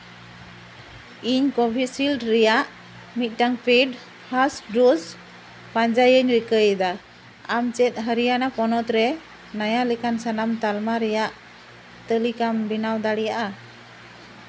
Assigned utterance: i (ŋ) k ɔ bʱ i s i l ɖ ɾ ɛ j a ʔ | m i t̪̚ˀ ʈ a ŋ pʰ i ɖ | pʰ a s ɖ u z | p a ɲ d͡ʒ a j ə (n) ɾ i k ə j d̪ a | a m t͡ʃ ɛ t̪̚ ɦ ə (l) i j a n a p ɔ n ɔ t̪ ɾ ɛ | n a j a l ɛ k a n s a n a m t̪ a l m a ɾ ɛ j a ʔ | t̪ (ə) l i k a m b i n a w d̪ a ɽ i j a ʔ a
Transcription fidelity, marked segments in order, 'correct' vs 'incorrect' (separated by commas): incorrect, incorrect, incorrect, correct